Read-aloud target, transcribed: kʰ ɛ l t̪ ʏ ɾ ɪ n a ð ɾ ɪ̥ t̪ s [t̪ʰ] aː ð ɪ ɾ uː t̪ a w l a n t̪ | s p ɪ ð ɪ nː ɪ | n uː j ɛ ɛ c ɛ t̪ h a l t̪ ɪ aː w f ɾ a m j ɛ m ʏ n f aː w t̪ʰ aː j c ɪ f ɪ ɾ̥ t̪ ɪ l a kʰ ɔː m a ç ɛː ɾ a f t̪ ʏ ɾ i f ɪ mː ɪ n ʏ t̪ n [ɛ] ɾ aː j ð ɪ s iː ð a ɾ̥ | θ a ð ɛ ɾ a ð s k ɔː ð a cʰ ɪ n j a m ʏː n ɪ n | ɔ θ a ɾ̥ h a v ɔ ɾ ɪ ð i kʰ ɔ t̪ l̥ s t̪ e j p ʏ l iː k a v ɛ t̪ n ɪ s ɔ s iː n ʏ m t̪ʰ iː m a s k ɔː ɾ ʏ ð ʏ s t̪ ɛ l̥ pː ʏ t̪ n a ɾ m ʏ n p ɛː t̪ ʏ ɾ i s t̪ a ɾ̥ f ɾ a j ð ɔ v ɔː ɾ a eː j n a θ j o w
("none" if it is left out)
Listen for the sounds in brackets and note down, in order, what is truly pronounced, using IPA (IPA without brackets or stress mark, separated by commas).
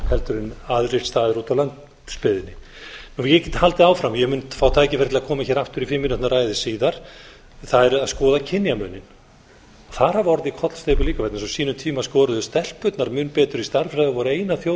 t̪, a